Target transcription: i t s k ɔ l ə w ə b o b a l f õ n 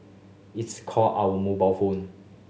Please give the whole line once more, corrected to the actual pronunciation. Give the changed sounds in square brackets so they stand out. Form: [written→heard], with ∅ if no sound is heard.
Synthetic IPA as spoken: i t s [k→kʰ] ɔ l [ə→a] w ə [b→m] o b a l f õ n